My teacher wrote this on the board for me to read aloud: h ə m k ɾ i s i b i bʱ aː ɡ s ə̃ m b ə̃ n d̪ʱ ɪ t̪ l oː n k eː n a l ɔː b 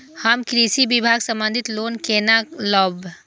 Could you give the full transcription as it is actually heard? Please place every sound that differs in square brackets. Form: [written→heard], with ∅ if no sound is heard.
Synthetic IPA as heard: h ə m k ɾ i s i b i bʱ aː ɡ s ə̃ m b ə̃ n d̪ʱ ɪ t̪ l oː n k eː n a l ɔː b